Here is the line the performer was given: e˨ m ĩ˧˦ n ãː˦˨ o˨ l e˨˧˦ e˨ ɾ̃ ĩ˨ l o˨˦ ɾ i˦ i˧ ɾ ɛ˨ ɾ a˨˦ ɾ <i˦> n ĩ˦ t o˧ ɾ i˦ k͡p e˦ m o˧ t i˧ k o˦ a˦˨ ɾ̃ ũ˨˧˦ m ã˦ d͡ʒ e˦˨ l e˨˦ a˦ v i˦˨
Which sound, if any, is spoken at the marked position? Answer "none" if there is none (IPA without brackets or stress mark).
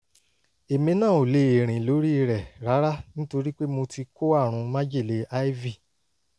a˦